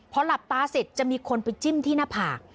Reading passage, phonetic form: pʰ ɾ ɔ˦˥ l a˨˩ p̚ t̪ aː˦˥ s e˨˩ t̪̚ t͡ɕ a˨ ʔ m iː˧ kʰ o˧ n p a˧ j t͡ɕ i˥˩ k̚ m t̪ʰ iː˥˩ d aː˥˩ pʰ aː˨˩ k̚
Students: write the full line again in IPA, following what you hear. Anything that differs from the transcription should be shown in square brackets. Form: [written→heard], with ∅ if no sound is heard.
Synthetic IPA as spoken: pʰ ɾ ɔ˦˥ l a˨˩ p̚ t̪ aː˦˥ s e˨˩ t̪̚ t͡ɕ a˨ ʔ m iː˧ kʰ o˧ n p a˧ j t͡ɕ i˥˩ [k̚→∅] m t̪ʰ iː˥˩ [d→n] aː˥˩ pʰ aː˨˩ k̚